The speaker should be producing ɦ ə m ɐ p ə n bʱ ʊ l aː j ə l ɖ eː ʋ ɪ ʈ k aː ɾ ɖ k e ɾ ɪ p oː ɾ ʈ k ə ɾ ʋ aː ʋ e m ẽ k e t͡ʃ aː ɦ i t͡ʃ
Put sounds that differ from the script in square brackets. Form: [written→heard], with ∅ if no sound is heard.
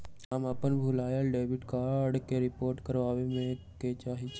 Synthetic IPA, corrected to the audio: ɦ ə m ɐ p ə n bʱ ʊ l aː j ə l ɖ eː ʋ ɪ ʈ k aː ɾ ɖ k e ɾ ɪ p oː ɾ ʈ k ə ɾ ʋ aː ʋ e m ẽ k e t͡ʃ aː ɦ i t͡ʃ